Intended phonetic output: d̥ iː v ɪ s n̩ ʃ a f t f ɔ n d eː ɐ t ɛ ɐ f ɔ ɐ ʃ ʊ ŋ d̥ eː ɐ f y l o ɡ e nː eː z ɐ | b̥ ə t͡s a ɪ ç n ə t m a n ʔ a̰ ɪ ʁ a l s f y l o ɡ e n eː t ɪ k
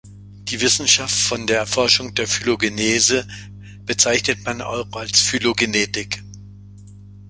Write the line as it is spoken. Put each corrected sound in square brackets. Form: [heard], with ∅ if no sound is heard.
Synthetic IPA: d̥ iː v ɪ s n̩ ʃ a f t f ɔ n d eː ɐ [∅] ɛ ɐ f ɔ ɐ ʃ ʊ ŋ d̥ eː ɐ f y l o ɡ e [n] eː z [ə] | b̥ ə t͡s a ɪ ç n ə t m a n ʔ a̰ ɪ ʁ a l s f y l o ɡ e n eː t ɪ k